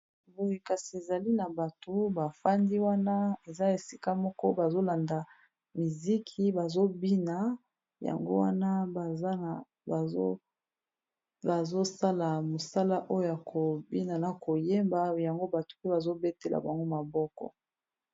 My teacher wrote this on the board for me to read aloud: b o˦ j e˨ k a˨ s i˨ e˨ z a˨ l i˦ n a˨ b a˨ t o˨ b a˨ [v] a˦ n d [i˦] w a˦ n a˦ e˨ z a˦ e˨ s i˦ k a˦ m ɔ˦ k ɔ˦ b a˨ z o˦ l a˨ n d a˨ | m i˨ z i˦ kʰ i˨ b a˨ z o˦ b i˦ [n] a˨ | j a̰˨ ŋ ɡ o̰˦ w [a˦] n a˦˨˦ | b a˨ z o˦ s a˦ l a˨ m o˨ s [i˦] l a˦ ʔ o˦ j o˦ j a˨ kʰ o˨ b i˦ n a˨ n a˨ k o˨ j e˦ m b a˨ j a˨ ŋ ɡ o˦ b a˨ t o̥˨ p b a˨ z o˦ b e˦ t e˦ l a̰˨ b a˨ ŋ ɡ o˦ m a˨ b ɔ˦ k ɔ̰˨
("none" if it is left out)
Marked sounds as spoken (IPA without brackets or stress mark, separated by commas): f, i˦, n, a˦, a˦